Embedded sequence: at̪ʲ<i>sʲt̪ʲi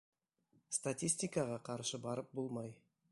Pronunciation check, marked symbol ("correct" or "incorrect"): correct